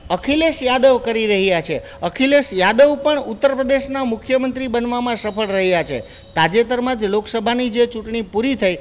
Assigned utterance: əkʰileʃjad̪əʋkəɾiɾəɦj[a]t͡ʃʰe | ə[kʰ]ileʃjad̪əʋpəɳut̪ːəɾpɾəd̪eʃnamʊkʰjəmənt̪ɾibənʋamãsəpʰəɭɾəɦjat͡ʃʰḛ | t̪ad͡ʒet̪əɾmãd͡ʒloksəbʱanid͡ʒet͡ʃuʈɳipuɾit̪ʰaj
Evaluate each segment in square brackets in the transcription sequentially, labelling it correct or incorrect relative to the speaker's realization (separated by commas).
correct, correct